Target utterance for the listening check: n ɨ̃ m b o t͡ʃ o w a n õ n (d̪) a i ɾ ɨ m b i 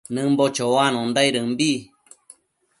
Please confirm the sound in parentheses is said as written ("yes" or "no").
yes